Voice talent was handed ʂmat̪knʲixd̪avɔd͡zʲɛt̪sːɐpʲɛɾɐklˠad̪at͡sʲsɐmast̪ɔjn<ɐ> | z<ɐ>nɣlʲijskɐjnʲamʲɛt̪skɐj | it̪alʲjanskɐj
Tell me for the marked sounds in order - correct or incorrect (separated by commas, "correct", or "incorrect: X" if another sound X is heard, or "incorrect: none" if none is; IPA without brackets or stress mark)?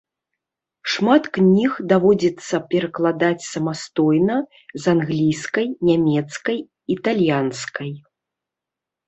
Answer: correct, incorrect: a